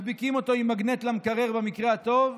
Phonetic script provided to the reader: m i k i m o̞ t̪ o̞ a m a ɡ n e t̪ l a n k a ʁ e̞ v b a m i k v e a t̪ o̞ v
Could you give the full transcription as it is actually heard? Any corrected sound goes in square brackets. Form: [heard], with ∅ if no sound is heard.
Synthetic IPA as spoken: [b] i k i m o̞ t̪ o̞ [i] m a ɡ n e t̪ l a [m] k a ʁ e̞ [ʁ] b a m i k [ʁ] e a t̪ o̞ v